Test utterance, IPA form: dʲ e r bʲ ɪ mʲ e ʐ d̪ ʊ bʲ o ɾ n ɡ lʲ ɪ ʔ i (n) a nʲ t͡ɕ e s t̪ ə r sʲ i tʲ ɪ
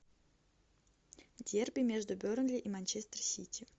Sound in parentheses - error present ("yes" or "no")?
yes